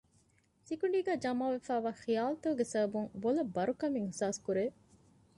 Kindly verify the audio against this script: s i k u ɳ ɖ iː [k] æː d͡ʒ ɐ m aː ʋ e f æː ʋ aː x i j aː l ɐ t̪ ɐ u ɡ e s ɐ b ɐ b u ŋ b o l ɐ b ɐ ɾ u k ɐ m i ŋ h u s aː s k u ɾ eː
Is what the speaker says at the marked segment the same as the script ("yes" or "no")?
no